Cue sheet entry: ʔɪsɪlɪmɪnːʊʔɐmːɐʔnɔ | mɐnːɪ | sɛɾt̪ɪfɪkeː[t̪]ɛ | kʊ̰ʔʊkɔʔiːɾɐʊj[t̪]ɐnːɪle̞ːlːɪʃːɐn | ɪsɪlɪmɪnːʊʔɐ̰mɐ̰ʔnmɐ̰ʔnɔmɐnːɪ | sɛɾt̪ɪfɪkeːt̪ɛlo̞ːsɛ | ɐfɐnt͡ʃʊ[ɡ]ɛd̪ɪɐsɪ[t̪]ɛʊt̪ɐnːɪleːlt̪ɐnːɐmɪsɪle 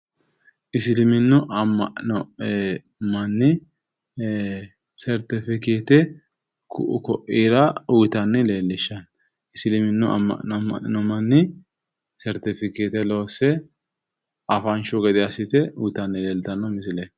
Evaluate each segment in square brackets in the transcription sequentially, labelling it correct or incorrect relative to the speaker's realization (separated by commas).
correct, correct, correct, correct